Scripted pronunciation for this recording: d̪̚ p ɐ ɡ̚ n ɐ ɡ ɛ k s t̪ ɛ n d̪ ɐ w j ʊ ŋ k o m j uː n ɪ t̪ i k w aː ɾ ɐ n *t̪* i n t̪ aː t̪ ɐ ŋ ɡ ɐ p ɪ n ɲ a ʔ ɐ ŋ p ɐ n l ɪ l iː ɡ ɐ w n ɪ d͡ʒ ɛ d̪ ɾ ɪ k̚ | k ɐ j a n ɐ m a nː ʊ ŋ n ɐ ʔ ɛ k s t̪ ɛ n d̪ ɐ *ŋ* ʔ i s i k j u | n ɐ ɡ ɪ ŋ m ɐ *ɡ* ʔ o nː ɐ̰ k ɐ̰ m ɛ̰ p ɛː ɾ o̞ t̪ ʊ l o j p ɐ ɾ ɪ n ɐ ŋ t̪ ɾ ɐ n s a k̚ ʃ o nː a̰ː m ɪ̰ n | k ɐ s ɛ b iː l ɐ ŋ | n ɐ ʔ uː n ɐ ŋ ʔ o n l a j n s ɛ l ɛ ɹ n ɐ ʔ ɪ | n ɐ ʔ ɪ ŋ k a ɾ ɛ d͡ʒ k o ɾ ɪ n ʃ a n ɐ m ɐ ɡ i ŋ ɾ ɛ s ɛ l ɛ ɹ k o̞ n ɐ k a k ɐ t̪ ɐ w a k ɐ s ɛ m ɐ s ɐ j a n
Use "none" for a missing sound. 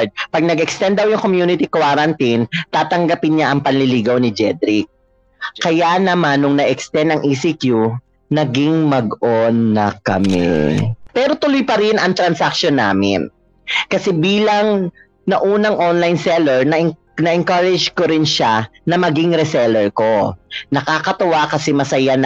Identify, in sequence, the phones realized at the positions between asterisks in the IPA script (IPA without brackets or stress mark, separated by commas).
t̪, ŋ, ɡ